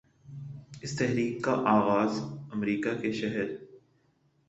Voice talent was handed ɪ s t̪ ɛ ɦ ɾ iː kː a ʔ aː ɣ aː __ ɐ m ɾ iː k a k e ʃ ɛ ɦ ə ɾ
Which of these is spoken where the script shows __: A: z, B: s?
A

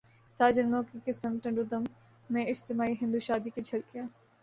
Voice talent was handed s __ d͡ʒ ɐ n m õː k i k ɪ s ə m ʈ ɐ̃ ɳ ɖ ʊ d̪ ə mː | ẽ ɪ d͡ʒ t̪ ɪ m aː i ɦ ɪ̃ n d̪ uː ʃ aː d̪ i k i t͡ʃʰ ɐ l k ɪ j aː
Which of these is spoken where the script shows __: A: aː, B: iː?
A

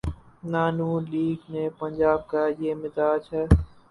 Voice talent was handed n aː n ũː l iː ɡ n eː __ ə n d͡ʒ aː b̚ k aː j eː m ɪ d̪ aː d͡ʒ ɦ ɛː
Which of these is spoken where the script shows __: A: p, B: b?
A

